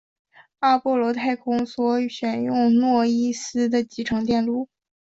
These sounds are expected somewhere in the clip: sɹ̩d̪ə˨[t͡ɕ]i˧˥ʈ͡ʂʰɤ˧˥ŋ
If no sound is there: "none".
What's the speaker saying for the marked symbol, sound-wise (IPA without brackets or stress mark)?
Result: t͡ɕ